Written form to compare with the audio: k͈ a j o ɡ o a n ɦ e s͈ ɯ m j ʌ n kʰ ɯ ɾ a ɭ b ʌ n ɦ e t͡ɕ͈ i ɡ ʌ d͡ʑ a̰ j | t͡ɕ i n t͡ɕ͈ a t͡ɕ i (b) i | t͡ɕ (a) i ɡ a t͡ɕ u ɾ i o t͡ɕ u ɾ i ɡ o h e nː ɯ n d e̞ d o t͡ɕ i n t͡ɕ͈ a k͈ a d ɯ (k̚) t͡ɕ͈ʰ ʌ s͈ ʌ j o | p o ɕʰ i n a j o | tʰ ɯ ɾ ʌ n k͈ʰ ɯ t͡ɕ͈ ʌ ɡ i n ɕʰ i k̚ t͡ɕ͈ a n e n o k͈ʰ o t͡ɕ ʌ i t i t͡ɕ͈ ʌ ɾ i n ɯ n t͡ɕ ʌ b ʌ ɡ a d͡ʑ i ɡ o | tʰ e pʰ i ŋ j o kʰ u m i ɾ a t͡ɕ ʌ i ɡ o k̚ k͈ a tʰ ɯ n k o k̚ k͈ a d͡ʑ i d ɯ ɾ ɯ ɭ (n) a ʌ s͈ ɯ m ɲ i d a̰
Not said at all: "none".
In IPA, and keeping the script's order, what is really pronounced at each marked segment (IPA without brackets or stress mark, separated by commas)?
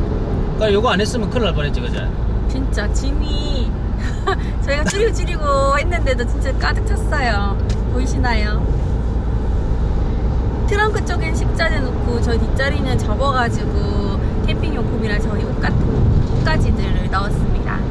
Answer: m, ʌ, k̚, n